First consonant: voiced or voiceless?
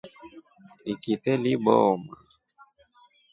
voiceless